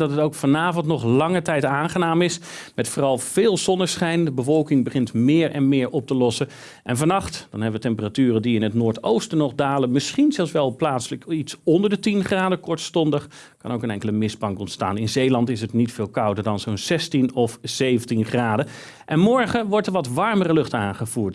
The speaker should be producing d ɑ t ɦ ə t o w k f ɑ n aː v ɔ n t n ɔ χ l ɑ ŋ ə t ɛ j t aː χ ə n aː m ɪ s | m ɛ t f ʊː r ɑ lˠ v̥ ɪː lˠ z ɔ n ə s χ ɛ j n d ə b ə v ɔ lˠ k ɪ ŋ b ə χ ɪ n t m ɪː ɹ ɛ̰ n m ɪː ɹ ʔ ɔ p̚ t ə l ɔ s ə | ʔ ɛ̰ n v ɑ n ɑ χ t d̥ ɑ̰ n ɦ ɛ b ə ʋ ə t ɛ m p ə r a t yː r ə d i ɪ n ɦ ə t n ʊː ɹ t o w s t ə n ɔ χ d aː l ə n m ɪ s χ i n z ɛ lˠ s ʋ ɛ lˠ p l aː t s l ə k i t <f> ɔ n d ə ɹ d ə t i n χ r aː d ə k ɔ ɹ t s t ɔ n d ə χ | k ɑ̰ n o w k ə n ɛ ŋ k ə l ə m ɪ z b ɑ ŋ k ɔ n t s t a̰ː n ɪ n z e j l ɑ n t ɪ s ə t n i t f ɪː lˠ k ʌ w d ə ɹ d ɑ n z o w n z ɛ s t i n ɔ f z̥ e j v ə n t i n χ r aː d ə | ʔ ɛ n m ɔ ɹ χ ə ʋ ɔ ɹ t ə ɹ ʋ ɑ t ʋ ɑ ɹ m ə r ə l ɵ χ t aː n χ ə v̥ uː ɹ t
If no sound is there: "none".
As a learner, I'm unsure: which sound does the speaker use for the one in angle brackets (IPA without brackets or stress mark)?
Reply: s